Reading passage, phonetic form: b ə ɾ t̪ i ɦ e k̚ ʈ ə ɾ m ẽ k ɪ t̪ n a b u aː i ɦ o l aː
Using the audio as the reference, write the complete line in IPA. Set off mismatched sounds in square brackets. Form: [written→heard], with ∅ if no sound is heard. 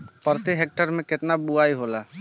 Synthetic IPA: [b→p] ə ɾ t̪ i ɦ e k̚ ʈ ə ɾ m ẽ k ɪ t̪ n a b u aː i ɦ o l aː

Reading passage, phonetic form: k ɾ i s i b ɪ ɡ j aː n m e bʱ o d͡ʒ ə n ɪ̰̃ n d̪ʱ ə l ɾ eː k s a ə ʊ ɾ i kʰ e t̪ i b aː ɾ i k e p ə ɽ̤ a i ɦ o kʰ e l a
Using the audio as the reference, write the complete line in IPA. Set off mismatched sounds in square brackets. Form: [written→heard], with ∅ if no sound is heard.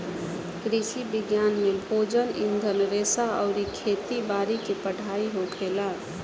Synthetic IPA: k ɾ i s i b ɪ ɡ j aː n m e bʱ o d͡ʒ ə n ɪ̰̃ n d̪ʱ ə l ɾ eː [k→∅] s a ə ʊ ɾ i kʰ e t̪ i b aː ɾ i k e p ə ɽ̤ a i ɦ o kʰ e l a

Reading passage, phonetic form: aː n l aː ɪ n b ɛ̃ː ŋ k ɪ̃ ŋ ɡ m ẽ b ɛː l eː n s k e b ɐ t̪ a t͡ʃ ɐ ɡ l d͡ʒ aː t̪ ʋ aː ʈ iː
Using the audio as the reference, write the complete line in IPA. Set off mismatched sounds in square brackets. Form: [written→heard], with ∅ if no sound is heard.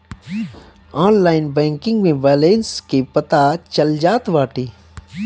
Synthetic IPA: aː n l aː ɪ n b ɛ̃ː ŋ k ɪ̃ ŋ ɡ m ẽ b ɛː l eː n s k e [b→p] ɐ t̪ a t͡ʃ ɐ [ɡ→∅] l d͡ʒ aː t̪ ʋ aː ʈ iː

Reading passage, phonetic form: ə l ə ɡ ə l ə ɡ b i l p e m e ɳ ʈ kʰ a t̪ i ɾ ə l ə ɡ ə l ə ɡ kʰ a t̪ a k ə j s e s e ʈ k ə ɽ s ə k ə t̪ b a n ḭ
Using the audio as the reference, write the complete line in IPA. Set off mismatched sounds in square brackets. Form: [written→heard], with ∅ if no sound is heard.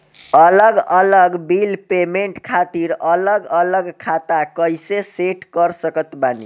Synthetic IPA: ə l ə ɡ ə l ə ɡ b i l p e m e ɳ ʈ kʰ a t̪ i ɾ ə l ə ɡ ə l ə ɡ kʰ a t̪ a k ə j s e s e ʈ k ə [ɽ→ɾ] s ə k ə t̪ b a n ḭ

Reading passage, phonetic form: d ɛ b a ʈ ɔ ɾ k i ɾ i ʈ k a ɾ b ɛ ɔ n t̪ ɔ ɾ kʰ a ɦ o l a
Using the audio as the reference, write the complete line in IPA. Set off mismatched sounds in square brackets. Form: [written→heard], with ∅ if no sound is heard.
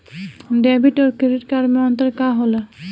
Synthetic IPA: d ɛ b [a→i] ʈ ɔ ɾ k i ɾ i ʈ k a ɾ [b→m] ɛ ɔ n t̪ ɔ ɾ [kʰ→k] a ɦ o l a

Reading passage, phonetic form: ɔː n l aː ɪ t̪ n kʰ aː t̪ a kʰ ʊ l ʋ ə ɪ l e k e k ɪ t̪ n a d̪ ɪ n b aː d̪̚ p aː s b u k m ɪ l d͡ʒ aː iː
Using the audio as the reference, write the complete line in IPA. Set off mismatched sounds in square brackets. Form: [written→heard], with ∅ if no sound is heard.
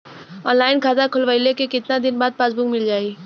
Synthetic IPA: ɔː n l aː ɪ [t̪→∅] n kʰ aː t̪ a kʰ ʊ l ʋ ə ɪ l e k e k ɪ t̪ n a d̪ ɪ n b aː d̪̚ p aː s b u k m ɪ l d͡ʒ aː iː

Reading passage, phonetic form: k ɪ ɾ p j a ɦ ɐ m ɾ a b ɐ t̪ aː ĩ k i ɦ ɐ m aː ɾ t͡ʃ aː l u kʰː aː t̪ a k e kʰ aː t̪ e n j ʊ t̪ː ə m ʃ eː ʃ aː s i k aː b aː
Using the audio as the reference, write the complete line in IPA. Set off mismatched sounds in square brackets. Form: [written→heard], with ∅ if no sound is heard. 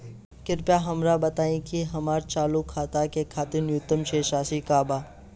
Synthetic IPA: k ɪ ɾ p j a ɦ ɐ m ɾ a b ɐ t̪ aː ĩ k i ɦ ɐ m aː ɾ t͡ʃ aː l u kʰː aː t̪ a k e kʰ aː t̪ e n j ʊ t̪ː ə m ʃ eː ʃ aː s i k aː b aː

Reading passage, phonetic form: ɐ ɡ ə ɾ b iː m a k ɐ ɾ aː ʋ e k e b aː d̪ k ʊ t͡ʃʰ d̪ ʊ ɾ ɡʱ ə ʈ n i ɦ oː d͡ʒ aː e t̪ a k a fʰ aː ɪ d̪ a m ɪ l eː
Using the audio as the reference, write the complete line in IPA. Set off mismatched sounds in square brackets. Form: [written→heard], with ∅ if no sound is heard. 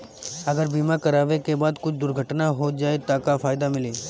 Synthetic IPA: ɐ ɡ ə ɾ b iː m a k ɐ ɾ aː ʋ e k e b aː d̪ k ʊ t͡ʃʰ d̪ ʊ ɾ ɡʱ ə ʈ n [i→a] ɦ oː d͡ʒ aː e t̪ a k a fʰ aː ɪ d̪ a m ɪ l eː

